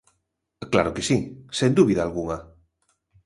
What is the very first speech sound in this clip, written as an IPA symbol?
k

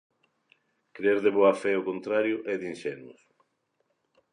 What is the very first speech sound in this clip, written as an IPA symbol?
k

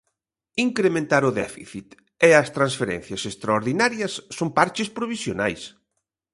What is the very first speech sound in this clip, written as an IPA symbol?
i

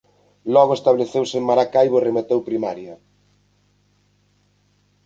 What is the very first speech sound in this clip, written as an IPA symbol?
l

